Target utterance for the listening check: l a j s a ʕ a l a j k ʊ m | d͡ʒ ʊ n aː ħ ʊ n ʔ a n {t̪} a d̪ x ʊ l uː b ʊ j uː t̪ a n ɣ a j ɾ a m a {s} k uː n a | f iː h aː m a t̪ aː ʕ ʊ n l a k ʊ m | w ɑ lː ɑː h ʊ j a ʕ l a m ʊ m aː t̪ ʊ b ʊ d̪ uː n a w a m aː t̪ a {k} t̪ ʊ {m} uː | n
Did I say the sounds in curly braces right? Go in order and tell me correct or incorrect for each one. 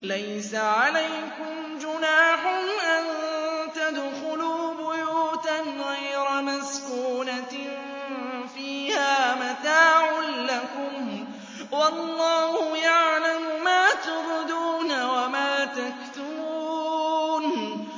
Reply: correct, correct, correct, incorrect: b

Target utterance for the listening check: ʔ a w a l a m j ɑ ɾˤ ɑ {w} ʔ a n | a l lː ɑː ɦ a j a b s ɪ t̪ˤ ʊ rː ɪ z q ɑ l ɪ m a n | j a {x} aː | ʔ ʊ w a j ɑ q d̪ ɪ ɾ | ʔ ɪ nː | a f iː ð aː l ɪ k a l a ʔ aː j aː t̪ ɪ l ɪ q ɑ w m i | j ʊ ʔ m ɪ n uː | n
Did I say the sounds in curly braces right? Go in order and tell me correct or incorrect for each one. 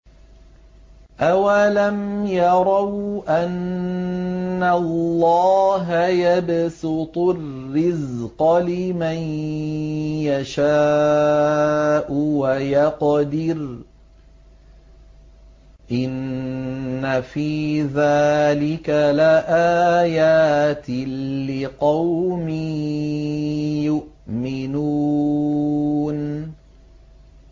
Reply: correct, incorrect: ʃ

